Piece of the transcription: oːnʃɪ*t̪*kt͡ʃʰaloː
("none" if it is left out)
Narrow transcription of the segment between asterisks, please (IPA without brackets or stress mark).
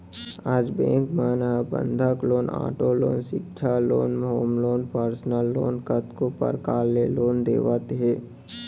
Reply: none